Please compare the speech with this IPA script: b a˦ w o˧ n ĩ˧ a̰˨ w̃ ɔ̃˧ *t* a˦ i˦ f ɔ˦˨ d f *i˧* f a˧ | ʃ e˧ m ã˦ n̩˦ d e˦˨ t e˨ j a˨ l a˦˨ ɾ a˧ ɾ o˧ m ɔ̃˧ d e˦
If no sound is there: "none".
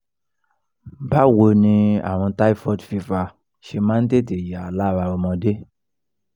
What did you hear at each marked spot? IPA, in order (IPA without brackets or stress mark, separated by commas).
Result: t, i˧